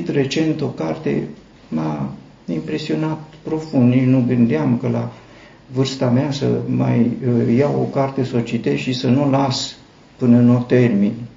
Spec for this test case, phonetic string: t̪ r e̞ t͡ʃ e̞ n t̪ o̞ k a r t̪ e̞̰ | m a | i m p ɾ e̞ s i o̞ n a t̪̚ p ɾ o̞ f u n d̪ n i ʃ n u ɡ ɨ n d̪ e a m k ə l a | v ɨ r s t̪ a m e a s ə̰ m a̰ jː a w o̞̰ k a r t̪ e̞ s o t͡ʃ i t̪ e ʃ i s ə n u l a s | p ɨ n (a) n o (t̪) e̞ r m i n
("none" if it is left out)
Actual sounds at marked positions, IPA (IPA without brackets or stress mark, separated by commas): ə, t̪